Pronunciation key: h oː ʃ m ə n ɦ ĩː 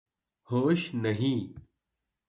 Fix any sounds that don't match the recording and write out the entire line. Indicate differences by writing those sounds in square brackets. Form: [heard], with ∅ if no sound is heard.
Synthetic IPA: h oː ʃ [n] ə [∅] ɦ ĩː